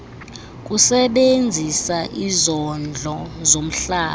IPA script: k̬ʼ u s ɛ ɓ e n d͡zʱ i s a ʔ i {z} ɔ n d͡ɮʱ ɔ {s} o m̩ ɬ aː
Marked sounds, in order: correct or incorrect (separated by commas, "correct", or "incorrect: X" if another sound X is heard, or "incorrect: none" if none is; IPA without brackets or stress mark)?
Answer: correct, incorrect: z